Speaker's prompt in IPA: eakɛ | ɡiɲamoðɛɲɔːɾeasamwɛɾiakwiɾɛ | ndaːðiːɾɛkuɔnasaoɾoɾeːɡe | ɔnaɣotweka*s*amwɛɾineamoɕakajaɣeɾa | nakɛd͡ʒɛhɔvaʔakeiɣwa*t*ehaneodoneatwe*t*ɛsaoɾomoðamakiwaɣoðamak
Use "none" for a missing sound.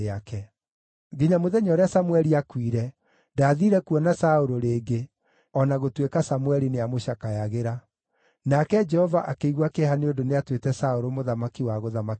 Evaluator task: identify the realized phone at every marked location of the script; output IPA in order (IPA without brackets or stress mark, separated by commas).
s, k, t